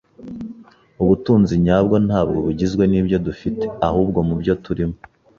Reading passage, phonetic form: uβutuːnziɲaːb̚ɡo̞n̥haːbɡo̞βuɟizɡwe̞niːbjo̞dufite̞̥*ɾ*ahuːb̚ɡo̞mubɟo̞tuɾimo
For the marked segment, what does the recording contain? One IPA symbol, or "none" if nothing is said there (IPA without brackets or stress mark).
none